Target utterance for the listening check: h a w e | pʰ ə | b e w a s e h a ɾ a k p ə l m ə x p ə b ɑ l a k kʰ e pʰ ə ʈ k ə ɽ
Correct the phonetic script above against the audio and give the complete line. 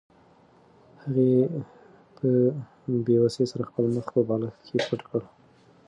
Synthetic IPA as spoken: h a ɣ e | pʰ ə | b e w a s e s a ɾ a x p ə l m ə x p ə b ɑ l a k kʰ e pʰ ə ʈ k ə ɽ